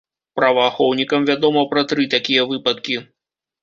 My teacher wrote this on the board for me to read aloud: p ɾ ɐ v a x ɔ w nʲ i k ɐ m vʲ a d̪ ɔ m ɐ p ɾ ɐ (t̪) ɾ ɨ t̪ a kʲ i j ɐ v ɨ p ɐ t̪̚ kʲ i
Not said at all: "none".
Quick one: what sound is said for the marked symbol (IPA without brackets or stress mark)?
t̪